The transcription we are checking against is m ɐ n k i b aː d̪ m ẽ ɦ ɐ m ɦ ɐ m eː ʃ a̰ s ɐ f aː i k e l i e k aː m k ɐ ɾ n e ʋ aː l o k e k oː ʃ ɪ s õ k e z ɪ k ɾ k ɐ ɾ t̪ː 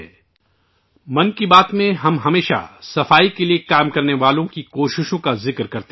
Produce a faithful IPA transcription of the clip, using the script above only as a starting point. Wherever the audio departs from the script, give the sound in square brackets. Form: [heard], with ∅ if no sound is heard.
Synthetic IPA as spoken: m ɐ n k i b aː [t̪] m ẽ ɦ ɐ m ɦ ɐ m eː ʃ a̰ s ɐ f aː i k e l i e k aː m k ɐ ɾ n e ʋ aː l [õ] k [i] k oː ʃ ɪ [ʃ] õ k [a] z ɪ k ɾ k ɐ ɾ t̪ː

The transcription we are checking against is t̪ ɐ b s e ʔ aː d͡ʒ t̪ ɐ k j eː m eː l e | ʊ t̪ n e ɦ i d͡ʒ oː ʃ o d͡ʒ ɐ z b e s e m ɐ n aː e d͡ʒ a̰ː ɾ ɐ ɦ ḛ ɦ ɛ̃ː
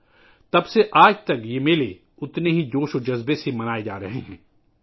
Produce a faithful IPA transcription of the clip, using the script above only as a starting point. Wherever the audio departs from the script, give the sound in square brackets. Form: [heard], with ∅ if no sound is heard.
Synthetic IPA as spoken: t̪ ɐ b s e ʔ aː d͡ʒ t̪ ɐ k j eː m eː l e | ʊ t̪ n e ɦ i d͡ʒ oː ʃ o d͡ʒ ɐ z b e s e m ɐ n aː e d͡ʒ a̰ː ɾ ɐ ɦ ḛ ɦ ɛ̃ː

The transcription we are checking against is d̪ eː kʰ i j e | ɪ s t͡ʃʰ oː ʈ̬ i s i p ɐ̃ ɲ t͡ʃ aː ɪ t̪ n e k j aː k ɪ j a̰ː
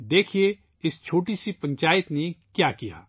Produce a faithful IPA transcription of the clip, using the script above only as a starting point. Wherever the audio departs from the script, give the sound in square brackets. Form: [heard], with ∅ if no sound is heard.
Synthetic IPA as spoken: d̪ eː kʰ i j e | ɪ s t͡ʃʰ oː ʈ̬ i s i p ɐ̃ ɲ t͡ʃ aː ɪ t̪ n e k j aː k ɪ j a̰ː

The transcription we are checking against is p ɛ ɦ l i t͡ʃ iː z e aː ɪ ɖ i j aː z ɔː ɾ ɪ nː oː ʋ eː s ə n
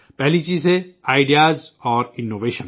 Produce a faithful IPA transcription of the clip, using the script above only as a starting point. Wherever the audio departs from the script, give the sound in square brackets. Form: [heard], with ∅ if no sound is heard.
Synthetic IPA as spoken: p ɛ ɦ l i t͡ʃ iː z e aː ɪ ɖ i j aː z ɔː ɾ ɪ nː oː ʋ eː [ʃ] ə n

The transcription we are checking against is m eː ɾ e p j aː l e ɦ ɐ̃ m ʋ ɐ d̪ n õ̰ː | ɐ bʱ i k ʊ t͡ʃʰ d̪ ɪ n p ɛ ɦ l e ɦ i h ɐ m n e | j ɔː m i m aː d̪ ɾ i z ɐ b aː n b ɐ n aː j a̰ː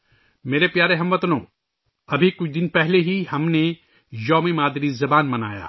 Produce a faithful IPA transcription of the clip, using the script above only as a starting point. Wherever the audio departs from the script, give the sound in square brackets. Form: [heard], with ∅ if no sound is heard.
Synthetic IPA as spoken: m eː ɾ e p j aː [ɾ] e ɦ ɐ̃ m ʋ ɐ [t̪] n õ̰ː | ɐ bʱ i k ʊ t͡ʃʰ d̪ ɪ n p ɛ ɦ l e ɦ i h ɐ m n e | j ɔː m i m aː d̪ ɾ i z ɐ b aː n [m] ɐ n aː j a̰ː

